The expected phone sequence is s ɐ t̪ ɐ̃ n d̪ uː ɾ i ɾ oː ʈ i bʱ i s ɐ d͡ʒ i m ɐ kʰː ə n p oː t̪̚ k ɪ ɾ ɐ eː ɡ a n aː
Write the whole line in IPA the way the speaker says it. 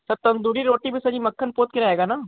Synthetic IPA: s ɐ t̪ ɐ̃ n d̪ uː ɾ i ɾ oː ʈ i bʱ i s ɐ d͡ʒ i m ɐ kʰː ə n p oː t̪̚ k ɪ ɾ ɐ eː ɡ a n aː